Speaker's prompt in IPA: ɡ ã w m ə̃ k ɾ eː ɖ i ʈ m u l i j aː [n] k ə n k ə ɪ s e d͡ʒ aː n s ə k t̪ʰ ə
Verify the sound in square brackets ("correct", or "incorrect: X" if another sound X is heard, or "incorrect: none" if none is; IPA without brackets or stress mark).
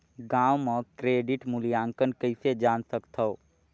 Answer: incorrect: ŋ